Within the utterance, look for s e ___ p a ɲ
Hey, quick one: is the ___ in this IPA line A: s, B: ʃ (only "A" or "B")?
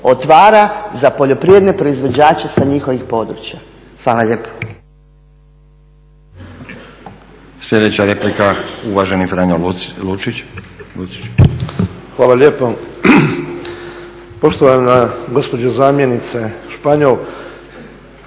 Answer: B